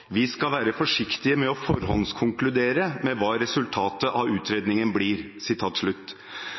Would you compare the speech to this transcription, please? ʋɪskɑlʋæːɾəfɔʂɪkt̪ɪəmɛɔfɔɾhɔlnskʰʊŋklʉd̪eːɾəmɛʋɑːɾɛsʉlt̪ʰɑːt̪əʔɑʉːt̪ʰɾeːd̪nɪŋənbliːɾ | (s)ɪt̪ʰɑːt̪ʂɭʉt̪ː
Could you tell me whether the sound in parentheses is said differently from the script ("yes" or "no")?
no